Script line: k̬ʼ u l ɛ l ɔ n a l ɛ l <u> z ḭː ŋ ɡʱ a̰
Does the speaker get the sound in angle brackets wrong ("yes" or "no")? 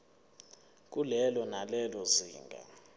yes